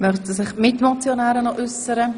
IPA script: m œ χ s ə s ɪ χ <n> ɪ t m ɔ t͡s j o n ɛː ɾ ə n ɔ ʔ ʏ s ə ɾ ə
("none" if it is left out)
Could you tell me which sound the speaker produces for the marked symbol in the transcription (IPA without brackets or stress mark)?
m